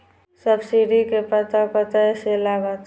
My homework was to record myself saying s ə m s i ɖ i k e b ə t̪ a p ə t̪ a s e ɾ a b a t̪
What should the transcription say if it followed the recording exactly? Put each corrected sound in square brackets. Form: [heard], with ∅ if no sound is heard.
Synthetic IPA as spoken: s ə [b] s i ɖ i k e [p] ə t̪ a p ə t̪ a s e [l] a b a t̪